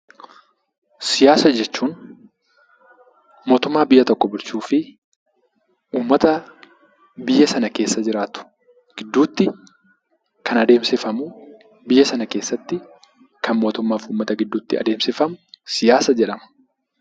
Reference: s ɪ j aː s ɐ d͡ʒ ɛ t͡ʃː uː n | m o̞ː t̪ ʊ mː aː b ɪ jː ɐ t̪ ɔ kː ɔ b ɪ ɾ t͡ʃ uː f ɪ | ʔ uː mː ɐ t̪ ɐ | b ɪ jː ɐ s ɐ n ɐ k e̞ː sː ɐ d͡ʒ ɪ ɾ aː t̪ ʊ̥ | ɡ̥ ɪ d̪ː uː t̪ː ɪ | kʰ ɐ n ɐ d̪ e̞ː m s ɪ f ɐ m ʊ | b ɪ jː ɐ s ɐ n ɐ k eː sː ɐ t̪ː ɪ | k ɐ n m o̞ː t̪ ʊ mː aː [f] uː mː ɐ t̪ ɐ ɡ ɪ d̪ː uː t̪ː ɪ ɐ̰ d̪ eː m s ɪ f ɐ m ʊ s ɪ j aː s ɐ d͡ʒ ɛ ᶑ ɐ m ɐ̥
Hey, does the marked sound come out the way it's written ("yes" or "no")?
yes